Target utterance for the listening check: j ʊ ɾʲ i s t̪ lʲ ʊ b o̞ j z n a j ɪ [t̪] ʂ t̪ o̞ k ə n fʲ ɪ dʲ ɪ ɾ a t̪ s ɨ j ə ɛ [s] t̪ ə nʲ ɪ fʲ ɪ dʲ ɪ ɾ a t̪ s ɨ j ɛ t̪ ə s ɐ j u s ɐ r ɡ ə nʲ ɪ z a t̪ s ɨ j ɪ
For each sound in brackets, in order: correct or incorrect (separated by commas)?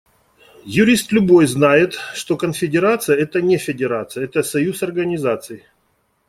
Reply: correct, incorrect